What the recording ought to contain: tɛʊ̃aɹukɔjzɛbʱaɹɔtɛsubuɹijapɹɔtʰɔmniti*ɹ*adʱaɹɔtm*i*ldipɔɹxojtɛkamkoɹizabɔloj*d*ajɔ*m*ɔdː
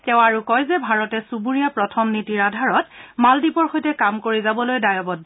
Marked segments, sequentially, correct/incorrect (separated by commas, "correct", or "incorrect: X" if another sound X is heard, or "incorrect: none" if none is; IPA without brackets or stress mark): correct, incorrect: a, correct, incorrect: b